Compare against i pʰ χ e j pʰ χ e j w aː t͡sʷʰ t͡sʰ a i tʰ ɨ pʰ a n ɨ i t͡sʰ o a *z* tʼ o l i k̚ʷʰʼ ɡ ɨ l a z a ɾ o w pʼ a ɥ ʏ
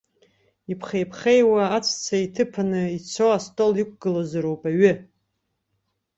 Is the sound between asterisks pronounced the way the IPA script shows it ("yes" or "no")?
no